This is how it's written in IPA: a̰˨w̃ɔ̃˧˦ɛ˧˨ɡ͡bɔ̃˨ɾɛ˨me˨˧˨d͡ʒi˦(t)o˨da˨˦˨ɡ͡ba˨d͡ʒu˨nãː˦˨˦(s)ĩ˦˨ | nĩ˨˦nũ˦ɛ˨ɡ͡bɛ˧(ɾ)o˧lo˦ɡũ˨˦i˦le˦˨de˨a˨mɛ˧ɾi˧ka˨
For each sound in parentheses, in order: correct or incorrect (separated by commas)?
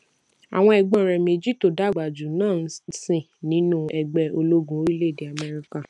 correct, correct, incorrect